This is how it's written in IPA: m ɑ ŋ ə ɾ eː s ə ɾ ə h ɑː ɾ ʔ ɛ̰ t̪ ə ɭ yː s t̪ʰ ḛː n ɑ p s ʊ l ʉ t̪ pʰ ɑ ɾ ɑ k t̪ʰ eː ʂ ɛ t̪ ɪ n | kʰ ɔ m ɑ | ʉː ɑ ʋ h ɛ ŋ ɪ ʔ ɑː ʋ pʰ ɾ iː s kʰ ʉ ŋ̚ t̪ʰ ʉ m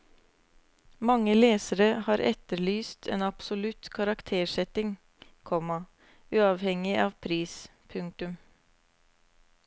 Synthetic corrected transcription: m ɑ ŋ ə l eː s ə ɾ ə h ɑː ɾ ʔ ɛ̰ t̪ ə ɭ yː s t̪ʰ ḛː n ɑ p s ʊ l ʉ t̪ kʰ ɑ ɾ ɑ k t̪ʰ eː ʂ ɛ t̪ ɪ ŋ | kʰ ɔ m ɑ | ʉː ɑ ʋ h ɛ ŋ ɪ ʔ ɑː ʋ pʰ ɾ iː s pʰ ʉ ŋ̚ t̪ ʉ m